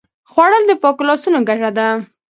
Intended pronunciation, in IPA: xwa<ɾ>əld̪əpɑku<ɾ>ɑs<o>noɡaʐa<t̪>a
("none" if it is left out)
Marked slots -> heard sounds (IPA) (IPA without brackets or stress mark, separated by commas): ɽ, l, u, d̪